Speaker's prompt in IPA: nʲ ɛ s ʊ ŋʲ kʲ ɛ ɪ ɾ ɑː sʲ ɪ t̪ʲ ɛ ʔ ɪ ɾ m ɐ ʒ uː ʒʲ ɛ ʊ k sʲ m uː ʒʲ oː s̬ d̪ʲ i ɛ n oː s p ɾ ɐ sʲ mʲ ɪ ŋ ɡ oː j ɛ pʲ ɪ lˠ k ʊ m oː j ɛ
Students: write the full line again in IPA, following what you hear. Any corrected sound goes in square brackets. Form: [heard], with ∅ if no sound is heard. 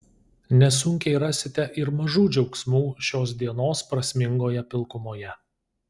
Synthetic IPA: nʲ ɛ s ʊ ŋʲ kʲ ɛ ɪ ɾ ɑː sʲ ɪ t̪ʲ ɛ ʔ ɪ ɾ m ɐ ʒ uː [d͡ʒʲ] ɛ ʊ k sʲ m uː [ʃʲ] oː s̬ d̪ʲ i ɛ n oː s p ɾ ɐ sʲ mʲ ɪ ŋ ɡ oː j ɛ pʲ ɪ lˠ k ʊ m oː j ɛ